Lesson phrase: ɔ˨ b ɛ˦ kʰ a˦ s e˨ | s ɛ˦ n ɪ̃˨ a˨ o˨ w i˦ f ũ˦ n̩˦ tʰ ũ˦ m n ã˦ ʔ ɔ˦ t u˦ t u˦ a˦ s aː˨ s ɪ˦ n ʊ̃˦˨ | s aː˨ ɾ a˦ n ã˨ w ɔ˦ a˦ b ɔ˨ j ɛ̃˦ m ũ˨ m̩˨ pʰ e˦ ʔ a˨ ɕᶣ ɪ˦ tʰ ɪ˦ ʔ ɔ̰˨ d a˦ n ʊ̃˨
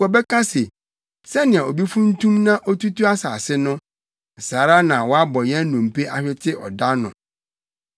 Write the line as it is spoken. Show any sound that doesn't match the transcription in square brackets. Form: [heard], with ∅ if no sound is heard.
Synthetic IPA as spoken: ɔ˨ b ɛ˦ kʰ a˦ s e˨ | s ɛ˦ n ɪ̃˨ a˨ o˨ [b] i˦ f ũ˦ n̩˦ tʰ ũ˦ m n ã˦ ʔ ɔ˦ t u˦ t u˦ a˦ s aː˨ s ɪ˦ n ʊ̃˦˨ | s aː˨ ɾ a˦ n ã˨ w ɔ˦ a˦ b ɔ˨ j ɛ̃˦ [n] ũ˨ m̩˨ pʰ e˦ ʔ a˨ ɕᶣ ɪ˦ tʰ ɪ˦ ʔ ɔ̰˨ d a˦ n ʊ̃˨